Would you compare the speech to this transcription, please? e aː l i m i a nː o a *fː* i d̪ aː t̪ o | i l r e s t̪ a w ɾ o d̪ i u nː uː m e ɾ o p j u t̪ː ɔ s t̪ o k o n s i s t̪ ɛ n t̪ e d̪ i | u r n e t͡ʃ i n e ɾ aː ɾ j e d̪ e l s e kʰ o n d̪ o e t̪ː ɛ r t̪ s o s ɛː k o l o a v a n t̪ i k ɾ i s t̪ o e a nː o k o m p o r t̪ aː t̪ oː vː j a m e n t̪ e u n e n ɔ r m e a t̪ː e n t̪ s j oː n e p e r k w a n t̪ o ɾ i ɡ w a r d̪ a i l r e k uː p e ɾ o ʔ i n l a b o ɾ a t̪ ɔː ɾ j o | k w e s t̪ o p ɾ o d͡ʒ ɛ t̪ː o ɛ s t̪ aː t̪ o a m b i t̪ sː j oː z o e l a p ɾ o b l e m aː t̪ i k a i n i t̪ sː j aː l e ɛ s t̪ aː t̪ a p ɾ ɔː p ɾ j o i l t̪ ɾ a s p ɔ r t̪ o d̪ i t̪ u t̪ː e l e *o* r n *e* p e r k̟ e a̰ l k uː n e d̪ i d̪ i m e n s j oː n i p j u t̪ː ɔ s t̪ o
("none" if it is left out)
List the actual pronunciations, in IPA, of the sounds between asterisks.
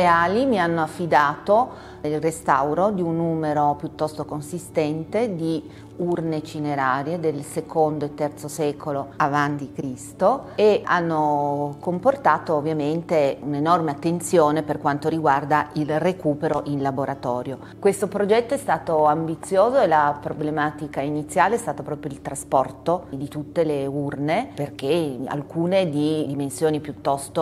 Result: fː, u, e

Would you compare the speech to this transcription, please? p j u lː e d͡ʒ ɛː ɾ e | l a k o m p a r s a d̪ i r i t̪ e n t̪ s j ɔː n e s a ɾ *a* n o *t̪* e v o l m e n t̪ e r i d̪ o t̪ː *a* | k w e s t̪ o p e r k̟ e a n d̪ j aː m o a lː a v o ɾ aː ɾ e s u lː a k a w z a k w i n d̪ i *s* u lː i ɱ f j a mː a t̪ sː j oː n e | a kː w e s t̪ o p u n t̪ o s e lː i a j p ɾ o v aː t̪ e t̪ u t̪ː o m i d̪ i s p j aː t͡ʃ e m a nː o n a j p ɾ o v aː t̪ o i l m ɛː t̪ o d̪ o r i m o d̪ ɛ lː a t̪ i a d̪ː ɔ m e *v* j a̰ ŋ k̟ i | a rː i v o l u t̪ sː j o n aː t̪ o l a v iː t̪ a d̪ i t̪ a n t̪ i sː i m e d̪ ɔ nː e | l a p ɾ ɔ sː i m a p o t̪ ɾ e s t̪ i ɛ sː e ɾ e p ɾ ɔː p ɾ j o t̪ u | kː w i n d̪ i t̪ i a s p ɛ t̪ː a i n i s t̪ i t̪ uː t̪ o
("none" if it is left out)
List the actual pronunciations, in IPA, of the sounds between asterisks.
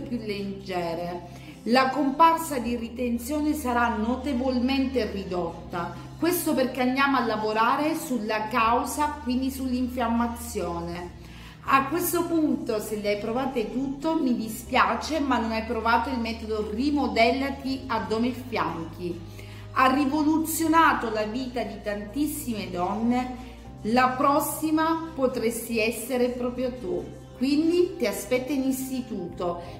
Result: a, t̪, a, s, f

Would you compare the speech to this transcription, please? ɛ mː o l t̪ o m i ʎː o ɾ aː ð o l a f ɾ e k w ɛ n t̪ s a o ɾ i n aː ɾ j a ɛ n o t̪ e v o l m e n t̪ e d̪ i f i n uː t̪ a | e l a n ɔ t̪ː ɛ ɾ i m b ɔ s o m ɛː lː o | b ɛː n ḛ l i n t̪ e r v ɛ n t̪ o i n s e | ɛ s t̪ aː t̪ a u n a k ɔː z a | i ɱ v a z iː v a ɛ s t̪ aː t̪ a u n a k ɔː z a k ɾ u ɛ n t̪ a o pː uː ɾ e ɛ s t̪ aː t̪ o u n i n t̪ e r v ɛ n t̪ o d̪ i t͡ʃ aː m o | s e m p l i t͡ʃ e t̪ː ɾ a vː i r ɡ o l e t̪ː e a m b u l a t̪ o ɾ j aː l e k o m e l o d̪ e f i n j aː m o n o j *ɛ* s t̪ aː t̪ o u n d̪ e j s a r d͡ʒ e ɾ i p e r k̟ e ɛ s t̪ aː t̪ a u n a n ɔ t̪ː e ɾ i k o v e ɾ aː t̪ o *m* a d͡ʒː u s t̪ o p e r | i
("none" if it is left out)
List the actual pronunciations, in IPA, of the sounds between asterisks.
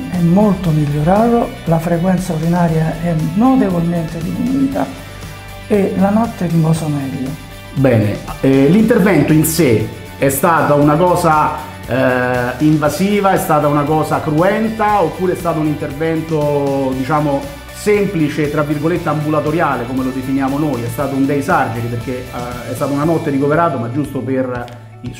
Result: ɛ, m

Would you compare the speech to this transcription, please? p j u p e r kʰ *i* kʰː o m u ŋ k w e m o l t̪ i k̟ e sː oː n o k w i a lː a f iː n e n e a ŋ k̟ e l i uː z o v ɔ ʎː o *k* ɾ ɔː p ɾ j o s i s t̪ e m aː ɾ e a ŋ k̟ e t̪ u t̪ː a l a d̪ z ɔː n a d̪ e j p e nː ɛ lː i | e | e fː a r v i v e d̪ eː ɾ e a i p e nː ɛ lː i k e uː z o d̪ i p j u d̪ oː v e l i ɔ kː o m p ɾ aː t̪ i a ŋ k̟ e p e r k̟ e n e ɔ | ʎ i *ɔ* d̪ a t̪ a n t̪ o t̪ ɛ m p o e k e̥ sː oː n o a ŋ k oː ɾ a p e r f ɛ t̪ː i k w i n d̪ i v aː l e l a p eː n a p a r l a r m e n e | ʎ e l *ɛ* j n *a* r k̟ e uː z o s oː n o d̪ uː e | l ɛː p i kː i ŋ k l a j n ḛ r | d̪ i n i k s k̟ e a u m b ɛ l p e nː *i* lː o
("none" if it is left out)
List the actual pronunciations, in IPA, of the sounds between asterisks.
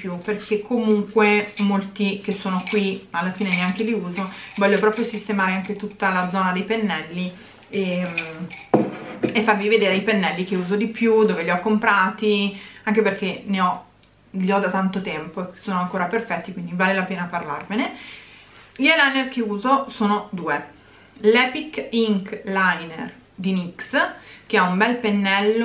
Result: e, p, ɔ, a, e, ɛ

